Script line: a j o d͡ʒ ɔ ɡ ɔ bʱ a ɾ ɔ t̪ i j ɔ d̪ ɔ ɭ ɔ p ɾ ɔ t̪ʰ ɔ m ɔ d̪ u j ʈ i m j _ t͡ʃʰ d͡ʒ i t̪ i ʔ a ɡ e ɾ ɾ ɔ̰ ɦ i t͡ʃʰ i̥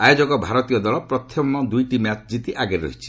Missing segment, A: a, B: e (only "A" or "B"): A